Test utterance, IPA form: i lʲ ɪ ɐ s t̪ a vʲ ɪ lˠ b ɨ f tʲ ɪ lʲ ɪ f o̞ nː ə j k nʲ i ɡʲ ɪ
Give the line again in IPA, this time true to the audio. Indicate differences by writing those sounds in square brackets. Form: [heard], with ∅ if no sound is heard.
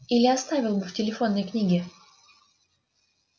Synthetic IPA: i lʲ ɪ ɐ s t̪ a vʲ ɪ lˠ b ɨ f tʲ ɪ lʲ ɪ f o̞ nː ə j k nʲ i ɡʲ ɪ